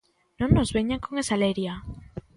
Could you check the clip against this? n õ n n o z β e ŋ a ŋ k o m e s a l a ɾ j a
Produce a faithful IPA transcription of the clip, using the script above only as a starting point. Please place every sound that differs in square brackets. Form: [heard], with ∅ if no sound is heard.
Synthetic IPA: n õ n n o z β e [ɲ] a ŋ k o [ŋ] e s a l [e] ɾ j a